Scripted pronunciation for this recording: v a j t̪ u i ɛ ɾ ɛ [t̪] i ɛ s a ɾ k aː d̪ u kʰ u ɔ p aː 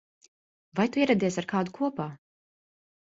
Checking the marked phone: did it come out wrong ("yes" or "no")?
yes